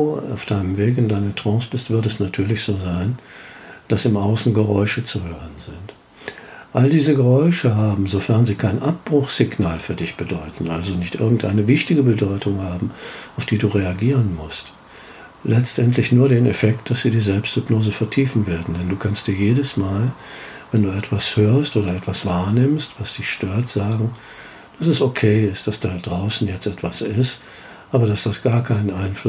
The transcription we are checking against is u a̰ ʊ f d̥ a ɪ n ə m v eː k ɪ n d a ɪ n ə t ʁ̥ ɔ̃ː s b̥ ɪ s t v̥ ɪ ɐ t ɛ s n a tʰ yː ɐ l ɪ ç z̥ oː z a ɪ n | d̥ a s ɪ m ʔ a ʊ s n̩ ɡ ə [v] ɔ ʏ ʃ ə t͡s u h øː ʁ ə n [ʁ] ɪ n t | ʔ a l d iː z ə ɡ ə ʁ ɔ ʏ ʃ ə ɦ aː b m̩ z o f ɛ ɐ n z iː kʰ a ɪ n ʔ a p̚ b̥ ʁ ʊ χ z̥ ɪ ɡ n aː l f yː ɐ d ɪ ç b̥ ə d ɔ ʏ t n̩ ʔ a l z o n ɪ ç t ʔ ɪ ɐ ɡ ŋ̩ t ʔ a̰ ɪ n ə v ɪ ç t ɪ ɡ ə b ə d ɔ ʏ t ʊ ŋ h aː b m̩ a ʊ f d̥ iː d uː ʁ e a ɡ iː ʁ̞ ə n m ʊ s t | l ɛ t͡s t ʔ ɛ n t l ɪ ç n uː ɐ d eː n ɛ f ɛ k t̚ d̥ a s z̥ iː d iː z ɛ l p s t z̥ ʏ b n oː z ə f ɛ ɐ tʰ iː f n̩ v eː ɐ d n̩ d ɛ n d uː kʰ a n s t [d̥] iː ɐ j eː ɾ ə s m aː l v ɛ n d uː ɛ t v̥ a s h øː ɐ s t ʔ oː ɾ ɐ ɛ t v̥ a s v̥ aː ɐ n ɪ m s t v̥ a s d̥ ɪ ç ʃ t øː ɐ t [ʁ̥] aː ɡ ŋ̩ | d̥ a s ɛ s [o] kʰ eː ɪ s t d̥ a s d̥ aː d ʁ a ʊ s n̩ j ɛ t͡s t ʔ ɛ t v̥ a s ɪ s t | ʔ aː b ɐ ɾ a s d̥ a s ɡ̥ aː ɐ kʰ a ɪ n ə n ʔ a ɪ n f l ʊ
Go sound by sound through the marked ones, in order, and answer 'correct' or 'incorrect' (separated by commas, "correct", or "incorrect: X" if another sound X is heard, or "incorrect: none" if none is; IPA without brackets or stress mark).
incorrect: ʁ, incorrect: z, correct, incorrect: z̥, correct